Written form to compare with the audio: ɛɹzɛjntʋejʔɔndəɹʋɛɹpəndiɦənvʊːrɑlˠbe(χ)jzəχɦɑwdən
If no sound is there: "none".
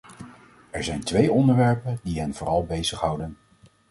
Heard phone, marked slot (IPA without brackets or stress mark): none